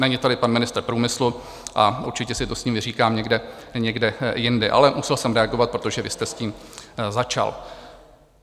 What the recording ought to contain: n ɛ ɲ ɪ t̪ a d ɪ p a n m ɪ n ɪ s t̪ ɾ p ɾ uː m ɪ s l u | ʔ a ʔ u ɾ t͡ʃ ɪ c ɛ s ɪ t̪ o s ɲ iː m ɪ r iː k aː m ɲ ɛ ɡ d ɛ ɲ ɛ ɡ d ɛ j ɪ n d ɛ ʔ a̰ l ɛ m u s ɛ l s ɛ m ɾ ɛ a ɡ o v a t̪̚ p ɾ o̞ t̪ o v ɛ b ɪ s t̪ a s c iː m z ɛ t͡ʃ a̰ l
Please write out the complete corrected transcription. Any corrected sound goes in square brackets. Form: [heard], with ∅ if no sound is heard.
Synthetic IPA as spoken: n ɛ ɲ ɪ t̪ a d ɪ p a n m ɪ n ɪ s t̪ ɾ p ɾ uː m ɪ s l u | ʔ a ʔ u ɾ t͡ʃ ɪ c ɛ s ɪ t̪ o s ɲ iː m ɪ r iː k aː m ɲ ɛ ɡ d ɛ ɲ ɛ ɡ d ɛ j ɪ n d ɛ ʔ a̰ l ɛ m u s ɛ l s ɛ m ɾ ɛ a ɡ o v a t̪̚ p ɾ o̞ t̪ o [ʒ] ɛ [v] ɪ s t̪ [ɛ] s c iː m z [a] t͡ʃ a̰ l